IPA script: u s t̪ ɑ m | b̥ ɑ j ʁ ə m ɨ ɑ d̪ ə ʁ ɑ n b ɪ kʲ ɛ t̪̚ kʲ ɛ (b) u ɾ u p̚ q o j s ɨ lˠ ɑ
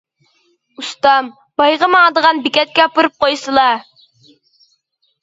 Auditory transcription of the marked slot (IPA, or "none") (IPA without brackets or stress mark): p